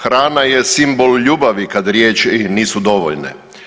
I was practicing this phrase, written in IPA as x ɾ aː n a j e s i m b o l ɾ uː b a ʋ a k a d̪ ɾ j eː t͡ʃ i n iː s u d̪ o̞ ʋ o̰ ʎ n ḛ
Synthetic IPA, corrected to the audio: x ɾ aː n a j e s i m b o l ʎ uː b a ʋ i k a d̪ ɾ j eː t͡ʃ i n iː s u d̪ o̞ ʋ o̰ ʎ n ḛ